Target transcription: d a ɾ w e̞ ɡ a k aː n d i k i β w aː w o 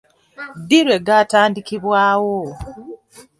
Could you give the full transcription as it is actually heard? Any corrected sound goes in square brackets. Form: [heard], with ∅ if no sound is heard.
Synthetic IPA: d [i] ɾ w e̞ ɡ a [t] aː n d i k i β w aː w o